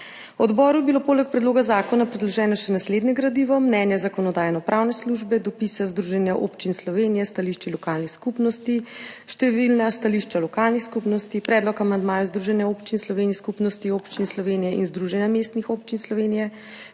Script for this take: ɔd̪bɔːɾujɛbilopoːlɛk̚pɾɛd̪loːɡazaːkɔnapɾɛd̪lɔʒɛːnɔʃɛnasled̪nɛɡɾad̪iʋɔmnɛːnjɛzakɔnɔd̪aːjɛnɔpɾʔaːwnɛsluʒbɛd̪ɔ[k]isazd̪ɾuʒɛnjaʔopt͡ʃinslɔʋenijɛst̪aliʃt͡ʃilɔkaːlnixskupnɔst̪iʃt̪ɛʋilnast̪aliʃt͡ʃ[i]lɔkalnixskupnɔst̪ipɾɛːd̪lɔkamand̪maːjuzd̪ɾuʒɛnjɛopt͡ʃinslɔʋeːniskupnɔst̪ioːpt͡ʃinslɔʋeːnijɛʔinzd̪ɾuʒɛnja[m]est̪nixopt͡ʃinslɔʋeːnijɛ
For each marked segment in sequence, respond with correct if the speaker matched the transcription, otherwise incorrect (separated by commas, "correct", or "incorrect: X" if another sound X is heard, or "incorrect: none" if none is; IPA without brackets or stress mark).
incorrect: p, incorrect: a, correct